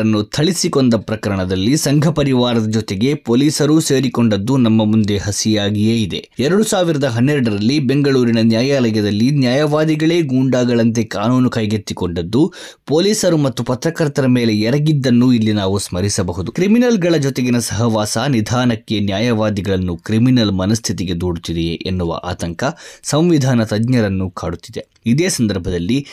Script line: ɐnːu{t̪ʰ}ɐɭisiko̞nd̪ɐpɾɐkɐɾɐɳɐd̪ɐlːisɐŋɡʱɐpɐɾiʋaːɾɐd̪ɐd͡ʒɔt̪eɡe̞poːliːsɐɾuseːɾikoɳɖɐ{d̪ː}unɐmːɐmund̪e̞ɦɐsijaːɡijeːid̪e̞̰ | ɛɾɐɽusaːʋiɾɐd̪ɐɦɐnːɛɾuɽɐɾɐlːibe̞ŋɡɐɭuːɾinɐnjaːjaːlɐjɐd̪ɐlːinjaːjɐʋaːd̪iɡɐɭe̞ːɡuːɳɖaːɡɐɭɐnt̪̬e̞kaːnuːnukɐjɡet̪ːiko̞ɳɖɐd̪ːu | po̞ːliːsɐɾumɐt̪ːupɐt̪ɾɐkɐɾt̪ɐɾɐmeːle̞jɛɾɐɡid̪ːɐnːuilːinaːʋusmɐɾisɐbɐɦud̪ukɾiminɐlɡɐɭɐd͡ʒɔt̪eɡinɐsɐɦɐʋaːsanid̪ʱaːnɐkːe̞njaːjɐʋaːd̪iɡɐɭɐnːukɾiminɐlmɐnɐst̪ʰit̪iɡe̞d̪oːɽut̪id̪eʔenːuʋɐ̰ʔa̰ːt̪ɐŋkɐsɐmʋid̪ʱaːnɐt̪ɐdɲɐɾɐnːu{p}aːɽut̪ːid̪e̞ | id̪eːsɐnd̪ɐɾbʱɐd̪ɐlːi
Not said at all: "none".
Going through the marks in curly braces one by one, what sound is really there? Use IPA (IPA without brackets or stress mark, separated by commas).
t̪ʰ, d̪ː, k